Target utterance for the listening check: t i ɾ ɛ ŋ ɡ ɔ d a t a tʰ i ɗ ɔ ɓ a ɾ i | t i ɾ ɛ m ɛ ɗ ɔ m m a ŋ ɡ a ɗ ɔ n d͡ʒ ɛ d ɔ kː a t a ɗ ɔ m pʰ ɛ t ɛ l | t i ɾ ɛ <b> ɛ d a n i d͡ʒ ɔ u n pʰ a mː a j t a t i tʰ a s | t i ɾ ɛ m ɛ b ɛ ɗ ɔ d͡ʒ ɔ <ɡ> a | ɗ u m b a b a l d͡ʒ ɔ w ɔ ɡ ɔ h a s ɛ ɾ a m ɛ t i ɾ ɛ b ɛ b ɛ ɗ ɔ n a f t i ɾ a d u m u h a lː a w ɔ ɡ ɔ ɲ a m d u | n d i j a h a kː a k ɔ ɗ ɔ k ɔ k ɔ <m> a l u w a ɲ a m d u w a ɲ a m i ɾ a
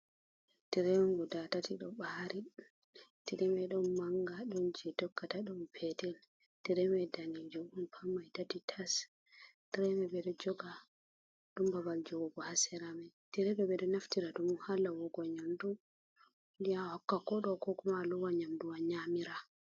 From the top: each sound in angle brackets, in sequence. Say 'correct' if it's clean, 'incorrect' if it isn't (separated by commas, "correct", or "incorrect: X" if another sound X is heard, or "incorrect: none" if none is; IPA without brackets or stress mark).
incorrect: m, correct, correct